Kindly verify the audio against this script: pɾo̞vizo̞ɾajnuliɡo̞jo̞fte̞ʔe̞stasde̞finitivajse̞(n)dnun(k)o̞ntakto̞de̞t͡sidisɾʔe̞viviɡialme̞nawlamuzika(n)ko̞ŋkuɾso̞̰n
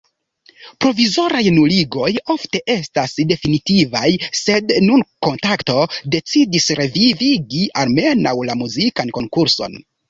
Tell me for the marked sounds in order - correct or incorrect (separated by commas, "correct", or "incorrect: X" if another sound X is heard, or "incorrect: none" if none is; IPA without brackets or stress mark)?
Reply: incorrect: none, correct, correct